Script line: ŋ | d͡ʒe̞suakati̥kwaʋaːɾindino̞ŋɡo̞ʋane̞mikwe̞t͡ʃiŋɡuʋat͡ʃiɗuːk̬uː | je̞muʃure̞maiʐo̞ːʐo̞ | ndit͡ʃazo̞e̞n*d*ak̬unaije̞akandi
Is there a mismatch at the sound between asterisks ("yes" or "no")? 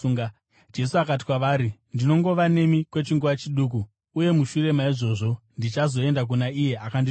no